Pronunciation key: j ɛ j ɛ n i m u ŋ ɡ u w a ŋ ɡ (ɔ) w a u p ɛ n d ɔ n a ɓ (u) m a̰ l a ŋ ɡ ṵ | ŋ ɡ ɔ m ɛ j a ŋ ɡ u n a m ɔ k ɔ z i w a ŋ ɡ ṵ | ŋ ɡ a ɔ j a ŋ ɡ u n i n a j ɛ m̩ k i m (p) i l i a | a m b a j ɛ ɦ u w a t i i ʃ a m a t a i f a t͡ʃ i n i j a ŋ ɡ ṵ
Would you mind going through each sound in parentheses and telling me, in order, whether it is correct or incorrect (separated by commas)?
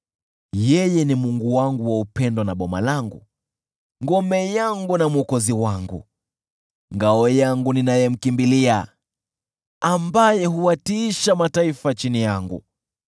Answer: incorrect, incorrect, incorrect